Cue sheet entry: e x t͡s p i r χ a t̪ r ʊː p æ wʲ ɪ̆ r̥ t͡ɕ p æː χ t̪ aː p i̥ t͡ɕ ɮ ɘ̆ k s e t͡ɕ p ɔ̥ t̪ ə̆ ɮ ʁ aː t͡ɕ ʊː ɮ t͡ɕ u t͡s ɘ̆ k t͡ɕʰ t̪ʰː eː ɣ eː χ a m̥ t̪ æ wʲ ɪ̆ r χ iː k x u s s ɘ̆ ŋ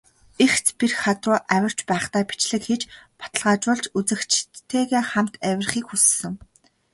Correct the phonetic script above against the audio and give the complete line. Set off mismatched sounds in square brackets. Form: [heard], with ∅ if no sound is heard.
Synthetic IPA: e x t͡s p i r χ a t̪ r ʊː [ʔ] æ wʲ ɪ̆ r̥ t͡ɕ p æː χ t̪ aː p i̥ t͡ɕ ɮ ɘ̆ k [x] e t͡ɕ p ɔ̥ t̪ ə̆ ɮ ʁ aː t͡ɕ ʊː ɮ t͡ɕ u t͡s ɘ̆ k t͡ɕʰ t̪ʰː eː ɣ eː χ a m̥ t̪ æ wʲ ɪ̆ r χ iː k x u s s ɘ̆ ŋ